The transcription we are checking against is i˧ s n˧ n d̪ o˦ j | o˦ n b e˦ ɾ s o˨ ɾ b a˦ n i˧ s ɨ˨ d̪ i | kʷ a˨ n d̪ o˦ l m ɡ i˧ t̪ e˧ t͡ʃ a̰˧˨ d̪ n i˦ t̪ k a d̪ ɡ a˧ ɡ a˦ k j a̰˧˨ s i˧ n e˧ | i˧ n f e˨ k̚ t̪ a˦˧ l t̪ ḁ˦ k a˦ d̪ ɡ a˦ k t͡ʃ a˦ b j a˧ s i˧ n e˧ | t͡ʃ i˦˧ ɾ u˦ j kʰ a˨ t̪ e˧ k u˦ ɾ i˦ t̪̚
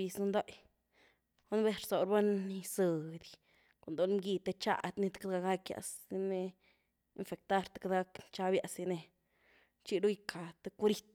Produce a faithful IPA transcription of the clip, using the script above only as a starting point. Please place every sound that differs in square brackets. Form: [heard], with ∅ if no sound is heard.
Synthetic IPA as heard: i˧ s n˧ n d̪ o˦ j | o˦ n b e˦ ɾ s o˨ ɾ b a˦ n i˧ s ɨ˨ d̪ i | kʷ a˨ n d̪ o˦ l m ɡ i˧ t̪ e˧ t͡ʃ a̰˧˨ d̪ n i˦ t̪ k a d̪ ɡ a˧ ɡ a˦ k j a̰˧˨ s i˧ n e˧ | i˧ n f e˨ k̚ t̪ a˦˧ [ɾ] t̪ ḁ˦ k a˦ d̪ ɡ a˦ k t͡ʃ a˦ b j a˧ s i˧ n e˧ | t͡ʃ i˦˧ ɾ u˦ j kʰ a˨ t̪ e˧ k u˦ ɾ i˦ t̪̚